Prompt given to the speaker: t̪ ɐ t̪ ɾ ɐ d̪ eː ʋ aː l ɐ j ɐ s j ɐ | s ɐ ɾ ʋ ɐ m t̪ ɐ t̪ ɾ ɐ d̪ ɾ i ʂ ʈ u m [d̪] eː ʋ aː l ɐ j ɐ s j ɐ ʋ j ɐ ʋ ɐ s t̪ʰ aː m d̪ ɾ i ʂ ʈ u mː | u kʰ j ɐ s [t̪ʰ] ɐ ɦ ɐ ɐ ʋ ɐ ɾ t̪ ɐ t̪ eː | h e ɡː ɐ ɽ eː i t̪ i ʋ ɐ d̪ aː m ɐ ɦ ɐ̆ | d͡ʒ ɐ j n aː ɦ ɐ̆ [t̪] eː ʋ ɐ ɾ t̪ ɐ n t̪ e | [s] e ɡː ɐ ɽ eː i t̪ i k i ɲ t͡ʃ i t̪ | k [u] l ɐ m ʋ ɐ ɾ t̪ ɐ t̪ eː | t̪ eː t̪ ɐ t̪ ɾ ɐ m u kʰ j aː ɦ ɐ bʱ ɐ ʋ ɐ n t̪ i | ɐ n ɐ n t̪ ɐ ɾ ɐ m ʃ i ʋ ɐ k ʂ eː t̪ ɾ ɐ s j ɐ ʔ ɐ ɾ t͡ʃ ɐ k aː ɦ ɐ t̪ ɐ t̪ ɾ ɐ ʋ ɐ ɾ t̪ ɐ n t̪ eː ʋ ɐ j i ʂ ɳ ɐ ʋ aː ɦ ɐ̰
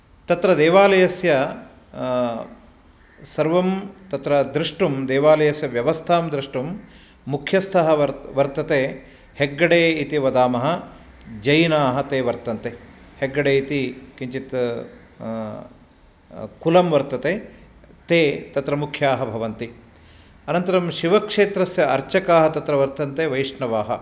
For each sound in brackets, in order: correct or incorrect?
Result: correct, correct, correct, incorrect: h, correct

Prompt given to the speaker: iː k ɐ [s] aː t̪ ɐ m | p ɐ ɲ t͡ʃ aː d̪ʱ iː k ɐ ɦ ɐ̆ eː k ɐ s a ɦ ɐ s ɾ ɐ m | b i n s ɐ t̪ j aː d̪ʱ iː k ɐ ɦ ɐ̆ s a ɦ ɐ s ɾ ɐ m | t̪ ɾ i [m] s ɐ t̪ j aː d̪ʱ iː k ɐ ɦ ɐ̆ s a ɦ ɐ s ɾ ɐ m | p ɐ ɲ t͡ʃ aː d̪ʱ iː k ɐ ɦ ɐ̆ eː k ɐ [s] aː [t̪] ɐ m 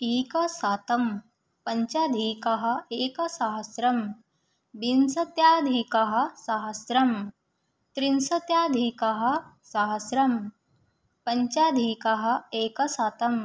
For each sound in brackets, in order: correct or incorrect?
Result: correct, incorrect: n, correct, correct

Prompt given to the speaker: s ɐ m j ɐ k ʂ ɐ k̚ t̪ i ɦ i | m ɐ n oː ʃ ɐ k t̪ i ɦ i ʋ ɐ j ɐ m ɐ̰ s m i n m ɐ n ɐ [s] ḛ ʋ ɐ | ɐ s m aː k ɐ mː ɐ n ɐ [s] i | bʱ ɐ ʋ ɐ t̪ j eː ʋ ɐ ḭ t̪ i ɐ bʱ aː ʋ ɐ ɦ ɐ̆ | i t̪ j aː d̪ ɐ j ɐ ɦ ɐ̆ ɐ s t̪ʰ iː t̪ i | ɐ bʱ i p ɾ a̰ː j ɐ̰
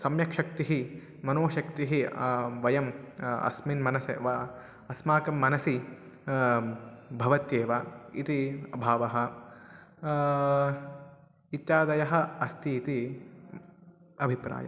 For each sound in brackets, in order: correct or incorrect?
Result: correct, correct

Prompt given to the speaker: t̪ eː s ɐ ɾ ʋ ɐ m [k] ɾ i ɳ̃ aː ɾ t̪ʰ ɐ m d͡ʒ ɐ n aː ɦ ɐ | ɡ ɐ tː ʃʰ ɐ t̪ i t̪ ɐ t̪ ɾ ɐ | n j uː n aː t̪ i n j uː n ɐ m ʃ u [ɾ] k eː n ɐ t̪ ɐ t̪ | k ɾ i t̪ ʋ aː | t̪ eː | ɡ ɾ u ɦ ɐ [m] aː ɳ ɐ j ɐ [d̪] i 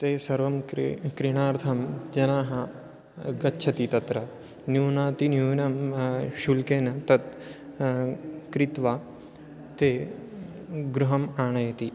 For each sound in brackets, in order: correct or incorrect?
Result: correct, incorrect: l, correct, incorrect: t̪

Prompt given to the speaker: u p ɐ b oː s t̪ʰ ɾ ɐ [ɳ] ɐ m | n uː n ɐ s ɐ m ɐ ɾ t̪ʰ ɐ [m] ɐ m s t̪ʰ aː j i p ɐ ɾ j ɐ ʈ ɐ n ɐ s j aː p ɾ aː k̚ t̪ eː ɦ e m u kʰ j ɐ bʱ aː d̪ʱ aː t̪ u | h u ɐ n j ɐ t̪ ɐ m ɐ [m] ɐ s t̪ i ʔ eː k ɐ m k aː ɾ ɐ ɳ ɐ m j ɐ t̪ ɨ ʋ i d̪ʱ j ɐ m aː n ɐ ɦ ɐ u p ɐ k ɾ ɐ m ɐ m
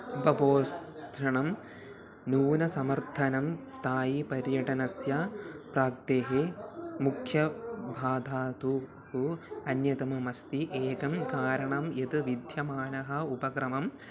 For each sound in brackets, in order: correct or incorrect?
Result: correct, incorrect: n, correct

